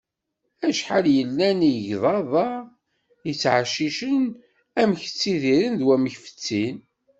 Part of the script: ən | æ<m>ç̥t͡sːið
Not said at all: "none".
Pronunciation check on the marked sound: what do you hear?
m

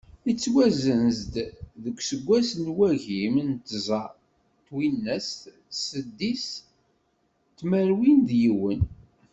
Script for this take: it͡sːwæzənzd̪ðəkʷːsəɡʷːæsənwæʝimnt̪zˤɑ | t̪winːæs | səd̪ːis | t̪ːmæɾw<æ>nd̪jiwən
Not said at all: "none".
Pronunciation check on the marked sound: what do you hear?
i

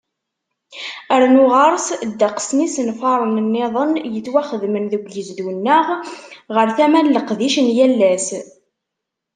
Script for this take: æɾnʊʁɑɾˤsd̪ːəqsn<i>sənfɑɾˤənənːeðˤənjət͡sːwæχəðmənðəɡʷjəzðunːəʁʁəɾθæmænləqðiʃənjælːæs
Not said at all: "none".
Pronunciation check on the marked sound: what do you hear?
i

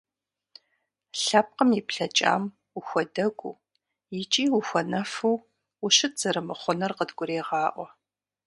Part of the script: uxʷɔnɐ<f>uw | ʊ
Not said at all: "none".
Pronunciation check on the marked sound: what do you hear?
f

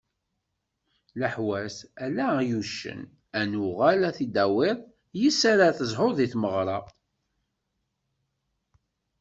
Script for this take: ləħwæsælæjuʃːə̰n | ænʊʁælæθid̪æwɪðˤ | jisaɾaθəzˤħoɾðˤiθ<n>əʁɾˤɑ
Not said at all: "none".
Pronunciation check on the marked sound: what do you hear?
m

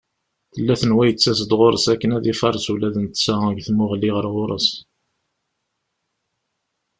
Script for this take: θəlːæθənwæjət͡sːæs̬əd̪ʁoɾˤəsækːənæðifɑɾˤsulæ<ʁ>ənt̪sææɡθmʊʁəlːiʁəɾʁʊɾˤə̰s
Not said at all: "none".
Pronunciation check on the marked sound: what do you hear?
ð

